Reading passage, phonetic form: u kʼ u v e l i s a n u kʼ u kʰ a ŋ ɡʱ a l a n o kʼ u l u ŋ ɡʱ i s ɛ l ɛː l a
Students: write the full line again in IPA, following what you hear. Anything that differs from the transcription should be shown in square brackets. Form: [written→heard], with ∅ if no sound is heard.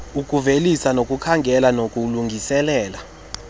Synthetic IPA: u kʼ u v e l i s a n [u→o] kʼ u kʰ a ŋ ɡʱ [a→ɛ] l a n o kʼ u l u ŋ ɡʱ i s ɛ l ɛː l a